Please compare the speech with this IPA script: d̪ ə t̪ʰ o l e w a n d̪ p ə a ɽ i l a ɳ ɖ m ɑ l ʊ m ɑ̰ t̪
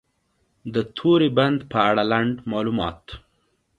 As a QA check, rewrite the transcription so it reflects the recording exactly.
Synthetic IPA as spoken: d̪ ə t̪ʰ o ɾ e b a n d̪ p ə a ɽ a l a ɳ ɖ m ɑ l u m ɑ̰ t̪